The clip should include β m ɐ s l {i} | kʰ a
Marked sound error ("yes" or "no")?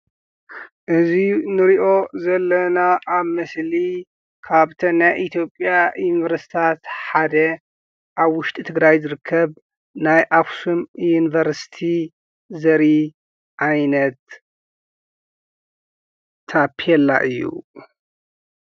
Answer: no